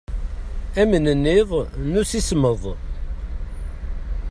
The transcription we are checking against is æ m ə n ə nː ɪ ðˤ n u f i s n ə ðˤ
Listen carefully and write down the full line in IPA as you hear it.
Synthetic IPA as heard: æ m ə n ə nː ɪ ðˤ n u s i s m ə ðˤ